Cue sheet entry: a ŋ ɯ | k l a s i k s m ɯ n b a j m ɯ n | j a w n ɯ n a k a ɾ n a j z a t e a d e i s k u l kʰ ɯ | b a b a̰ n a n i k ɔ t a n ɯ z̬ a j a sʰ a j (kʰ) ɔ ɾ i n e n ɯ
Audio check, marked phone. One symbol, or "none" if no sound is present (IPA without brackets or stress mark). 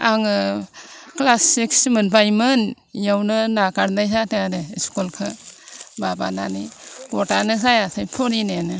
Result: pʰ